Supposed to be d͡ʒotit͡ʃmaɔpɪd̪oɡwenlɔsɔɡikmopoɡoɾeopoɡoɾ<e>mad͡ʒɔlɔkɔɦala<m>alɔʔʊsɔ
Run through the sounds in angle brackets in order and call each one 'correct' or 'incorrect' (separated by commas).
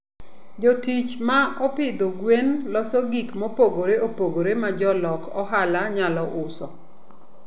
correct, incorrect